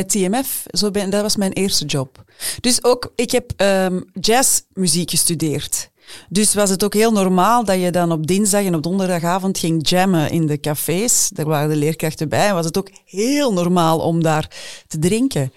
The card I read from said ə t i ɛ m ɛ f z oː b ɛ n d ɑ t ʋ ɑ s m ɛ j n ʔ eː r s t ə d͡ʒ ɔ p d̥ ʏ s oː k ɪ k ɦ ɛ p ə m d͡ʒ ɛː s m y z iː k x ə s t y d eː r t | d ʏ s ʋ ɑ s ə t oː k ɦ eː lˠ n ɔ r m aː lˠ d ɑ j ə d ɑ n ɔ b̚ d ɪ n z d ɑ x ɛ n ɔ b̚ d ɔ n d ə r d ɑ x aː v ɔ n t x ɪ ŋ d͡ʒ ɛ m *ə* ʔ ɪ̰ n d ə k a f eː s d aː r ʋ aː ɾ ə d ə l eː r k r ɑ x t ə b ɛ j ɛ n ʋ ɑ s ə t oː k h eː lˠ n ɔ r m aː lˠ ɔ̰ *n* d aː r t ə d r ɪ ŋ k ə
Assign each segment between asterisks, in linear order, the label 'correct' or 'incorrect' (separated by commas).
correct, incorrect